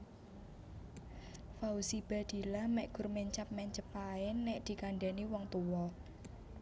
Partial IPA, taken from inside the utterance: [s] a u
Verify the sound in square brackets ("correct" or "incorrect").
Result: incorrect